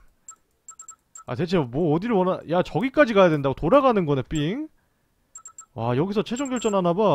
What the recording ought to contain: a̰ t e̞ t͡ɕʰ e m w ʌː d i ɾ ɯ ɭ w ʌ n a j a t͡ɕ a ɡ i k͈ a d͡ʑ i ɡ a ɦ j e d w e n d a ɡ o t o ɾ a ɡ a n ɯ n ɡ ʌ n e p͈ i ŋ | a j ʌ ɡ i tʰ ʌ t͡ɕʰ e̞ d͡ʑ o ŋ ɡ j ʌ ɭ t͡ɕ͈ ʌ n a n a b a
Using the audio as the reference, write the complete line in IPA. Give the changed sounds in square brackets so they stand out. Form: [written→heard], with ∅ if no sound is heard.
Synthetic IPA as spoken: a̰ t e̞ t͡ɕʰ e m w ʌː d i ɾ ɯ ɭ w ʌ n a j a t͡ɕ [a→ʌ] ɡ i k͈ a d͡ʑ i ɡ a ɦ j [e→a] d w e n d a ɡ o t o ɾ a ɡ a n ɯ n ɡ ʌ n e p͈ i ŋ | a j ʌ ɡ i [tʰ→sʰ] ʌ t͡ɕʰ e̞ d͡ʑ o ŋ ɡ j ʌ ɭ t͡ɕ͈ ʌ n a n a b a